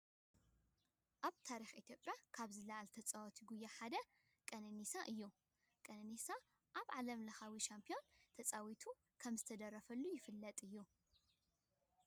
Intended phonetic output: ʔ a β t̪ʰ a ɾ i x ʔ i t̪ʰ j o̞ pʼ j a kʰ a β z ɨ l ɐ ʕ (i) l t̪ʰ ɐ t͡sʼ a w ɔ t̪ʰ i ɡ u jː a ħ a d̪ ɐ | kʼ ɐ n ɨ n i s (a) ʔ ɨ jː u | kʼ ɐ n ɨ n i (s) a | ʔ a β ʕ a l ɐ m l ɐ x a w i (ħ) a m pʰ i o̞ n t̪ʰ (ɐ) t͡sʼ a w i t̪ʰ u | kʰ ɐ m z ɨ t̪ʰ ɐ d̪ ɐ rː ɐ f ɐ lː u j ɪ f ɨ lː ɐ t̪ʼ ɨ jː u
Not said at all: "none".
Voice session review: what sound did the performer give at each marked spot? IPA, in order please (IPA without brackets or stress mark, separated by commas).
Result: a, a, s, ʃ, ɐ